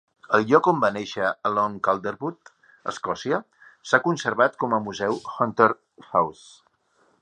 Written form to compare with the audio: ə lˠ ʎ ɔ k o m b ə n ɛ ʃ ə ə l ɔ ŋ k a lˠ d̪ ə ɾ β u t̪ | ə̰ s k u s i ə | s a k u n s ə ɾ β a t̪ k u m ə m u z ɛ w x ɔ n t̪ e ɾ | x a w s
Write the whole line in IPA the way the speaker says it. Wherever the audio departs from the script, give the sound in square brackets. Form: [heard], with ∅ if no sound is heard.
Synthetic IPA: ə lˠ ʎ ɔ k o m b [a] n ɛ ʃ ə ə l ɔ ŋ k a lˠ d̪ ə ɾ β u t̪ | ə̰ s k [ɔ] s i ə | s a k u n s ə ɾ β a t̪ k [ɔ] m ə m u z ɛ w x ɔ n t̪ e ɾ | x a w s